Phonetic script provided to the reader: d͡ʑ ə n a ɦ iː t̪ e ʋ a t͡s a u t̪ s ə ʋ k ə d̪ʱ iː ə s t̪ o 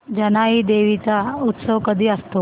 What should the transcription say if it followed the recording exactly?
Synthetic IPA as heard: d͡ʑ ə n a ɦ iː d̪ e ʋ i t͡s a u t̪ s ə ʋ k ə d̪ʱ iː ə s t̪ o